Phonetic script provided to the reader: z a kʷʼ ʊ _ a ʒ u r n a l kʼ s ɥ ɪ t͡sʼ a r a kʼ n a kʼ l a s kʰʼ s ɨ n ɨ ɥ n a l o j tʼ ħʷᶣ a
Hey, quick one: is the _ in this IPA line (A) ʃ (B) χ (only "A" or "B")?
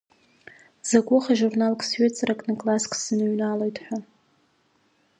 B